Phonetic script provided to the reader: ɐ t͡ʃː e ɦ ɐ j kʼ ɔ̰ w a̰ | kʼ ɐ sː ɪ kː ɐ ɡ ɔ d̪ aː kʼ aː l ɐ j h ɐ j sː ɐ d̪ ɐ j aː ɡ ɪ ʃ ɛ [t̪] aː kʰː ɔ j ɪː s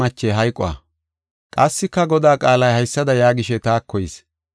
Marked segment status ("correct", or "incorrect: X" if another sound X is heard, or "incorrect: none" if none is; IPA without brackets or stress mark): correct